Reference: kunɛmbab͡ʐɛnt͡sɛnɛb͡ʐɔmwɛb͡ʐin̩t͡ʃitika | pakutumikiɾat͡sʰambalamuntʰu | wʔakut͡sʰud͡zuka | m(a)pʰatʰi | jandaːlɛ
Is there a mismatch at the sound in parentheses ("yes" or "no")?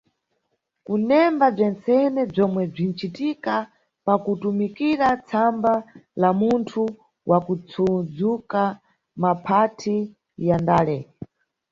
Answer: no